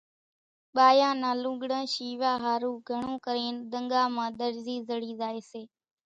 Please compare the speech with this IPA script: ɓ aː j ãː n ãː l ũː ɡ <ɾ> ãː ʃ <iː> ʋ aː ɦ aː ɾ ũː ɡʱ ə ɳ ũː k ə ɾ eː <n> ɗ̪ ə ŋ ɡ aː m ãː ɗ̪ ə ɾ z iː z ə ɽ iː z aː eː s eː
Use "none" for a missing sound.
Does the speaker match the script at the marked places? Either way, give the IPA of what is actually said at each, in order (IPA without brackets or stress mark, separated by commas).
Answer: ɽ, iː, n